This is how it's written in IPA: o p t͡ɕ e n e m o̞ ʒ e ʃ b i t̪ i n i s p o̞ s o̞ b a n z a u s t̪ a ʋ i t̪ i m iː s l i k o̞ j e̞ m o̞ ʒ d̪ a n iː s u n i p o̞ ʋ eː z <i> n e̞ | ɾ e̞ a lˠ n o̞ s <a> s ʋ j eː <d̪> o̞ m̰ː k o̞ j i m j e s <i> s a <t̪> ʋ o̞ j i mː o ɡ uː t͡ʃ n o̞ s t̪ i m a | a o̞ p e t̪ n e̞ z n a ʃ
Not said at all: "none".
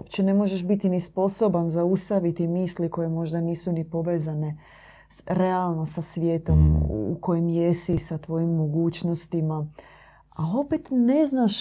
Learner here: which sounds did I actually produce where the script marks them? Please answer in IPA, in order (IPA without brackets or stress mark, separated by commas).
a, a, t̪, i, t̪